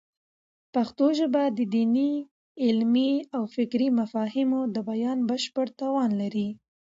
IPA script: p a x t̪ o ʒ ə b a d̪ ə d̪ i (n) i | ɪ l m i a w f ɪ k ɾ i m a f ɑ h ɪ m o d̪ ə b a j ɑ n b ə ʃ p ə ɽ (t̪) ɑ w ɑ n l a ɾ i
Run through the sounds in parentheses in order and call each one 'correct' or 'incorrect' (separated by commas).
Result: correct, correct